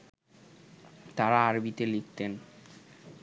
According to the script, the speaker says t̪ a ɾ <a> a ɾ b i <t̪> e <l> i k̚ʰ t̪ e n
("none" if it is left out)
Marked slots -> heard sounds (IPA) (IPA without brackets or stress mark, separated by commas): a, t̪, l